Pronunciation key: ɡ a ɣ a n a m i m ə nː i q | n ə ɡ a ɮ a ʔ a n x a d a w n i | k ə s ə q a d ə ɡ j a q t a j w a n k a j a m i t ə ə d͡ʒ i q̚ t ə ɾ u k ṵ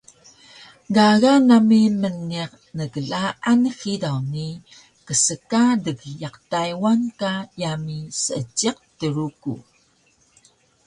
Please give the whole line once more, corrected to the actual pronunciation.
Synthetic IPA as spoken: ɡ a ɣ a n a m i m ə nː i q | n ə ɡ ə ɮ a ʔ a n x i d a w n i | k ə s ə k a d ə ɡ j a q t a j w a n k a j a m i s ə ə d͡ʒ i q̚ t ə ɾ u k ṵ